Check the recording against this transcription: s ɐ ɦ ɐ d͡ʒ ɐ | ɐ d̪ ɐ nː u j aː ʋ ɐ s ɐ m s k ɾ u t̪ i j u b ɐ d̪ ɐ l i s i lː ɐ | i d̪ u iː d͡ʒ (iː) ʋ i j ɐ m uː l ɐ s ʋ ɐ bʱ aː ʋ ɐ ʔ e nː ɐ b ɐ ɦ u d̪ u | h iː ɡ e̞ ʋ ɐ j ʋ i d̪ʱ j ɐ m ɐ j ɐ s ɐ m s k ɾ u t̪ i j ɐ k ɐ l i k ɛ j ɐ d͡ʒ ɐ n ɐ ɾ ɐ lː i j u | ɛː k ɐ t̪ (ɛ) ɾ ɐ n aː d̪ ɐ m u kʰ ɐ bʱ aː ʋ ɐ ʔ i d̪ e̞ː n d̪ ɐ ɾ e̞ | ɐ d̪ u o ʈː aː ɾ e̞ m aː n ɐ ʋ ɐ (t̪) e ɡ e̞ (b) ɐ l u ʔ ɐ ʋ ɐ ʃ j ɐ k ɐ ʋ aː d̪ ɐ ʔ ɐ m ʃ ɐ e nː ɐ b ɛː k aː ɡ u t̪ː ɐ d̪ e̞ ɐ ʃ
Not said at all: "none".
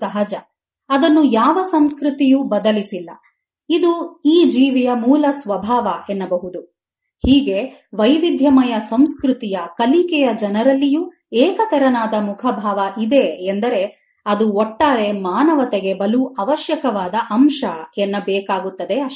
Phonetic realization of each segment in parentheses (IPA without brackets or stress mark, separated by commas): iː, ɛ, t̪, b